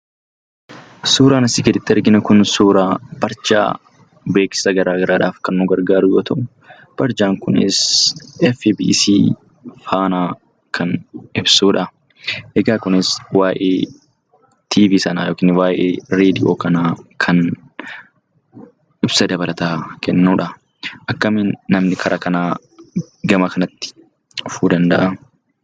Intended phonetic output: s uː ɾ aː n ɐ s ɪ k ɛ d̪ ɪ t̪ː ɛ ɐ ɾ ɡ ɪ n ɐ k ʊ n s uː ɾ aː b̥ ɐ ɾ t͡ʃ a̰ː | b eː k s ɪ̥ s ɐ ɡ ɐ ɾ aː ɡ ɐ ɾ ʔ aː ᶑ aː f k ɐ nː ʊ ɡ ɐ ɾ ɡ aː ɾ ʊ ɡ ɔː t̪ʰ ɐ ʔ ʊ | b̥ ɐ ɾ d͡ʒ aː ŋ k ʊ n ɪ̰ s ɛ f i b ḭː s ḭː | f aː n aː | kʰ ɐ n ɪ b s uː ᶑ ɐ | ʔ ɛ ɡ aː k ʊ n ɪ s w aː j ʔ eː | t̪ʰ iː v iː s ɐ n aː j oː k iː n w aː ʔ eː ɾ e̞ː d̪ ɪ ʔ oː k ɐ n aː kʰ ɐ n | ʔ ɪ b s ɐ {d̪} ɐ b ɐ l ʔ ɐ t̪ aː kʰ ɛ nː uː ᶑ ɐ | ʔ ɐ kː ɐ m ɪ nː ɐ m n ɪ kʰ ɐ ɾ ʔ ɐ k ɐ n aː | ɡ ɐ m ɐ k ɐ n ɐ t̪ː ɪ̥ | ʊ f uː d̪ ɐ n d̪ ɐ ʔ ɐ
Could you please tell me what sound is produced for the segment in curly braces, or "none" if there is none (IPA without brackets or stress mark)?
d̪